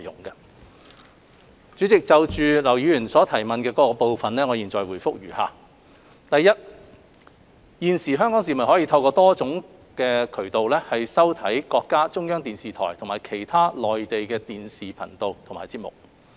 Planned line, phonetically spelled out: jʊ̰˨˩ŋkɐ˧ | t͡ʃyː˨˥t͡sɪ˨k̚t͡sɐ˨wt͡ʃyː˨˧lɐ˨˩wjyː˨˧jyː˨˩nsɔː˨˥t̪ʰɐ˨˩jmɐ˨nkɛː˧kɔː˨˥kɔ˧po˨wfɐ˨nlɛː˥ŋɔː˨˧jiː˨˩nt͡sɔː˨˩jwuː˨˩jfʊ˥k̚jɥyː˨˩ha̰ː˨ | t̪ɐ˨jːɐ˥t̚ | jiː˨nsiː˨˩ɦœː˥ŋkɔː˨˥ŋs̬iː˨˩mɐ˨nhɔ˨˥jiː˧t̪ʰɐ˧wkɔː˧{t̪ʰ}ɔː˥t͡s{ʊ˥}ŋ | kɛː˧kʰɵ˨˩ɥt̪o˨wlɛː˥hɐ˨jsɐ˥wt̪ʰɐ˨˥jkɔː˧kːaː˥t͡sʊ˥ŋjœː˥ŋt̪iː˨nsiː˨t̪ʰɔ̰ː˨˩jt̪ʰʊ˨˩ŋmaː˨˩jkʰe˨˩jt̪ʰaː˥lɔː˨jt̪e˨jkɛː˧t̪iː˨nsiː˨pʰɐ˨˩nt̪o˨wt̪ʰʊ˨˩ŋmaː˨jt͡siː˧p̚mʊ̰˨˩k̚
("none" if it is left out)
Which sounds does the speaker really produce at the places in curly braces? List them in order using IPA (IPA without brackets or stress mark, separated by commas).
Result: t̪, ʊ˨˥